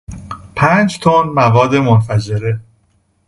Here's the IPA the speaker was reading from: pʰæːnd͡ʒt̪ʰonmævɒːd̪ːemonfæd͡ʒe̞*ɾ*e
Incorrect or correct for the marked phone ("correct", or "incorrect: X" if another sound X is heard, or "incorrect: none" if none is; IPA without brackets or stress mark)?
correct